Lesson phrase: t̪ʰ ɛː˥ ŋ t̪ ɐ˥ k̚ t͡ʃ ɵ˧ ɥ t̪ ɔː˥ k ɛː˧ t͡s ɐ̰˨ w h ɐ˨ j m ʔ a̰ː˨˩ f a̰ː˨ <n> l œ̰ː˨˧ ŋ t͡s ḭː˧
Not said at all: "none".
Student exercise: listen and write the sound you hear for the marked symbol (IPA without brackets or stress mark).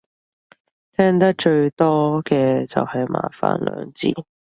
n